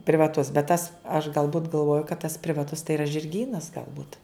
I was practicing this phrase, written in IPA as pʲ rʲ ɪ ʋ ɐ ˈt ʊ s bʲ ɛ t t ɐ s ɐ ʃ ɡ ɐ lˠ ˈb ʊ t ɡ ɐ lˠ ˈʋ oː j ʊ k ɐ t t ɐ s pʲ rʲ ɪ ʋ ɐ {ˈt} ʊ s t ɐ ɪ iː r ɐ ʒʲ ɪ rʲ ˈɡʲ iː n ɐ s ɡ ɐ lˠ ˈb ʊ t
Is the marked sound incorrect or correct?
correct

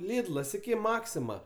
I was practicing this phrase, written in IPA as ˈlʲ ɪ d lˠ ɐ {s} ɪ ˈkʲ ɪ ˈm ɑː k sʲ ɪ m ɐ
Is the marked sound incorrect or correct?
correct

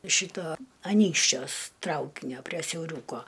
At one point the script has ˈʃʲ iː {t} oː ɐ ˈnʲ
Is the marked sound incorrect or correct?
correct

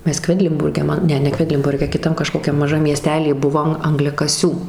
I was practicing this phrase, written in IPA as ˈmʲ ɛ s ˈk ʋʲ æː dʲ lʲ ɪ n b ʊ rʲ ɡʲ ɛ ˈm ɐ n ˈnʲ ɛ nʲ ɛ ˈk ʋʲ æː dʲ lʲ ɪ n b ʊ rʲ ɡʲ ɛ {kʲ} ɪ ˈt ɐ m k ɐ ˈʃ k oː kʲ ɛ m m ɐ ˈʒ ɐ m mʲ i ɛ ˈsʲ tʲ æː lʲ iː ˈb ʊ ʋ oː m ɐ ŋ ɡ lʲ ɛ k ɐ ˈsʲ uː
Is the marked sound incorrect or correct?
correct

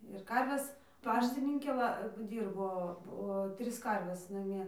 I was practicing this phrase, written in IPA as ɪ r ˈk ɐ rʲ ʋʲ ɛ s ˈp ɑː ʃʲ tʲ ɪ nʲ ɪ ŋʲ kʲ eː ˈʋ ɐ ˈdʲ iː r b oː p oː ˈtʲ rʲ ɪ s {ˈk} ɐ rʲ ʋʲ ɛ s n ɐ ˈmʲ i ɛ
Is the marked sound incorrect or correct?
correct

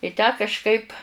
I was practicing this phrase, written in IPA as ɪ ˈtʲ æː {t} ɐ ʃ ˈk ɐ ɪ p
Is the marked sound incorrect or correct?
incorrect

